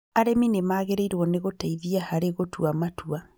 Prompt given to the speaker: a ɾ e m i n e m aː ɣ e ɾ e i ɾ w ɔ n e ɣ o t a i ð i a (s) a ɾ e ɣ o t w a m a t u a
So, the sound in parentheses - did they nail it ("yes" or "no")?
no